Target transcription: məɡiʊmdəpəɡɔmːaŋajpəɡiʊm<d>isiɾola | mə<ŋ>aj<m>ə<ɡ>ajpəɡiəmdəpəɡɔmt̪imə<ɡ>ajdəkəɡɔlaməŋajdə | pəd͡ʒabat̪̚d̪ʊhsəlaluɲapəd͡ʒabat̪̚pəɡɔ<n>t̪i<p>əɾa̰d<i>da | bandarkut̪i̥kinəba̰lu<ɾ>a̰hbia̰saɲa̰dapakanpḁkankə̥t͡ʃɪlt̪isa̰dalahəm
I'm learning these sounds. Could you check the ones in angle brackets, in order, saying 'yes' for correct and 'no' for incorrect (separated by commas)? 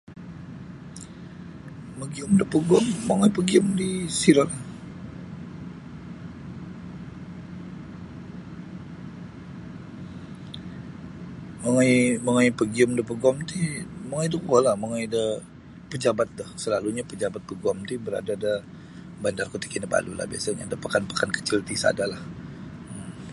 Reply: yes, yes, yes, no, no, no, no, no, no